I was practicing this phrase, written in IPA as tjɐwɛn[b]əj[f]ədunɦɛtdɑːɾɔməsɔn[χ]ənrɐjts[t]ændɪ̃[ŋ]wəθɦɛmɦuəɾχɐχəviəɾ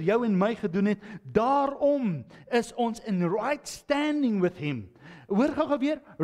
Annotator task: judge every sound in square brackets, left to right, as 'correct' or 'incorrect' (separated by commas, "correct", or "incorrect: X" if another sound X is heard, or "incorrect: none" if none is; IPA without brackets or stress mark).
incorrect: m, incorrect: χ, incorrect: s, correct, correct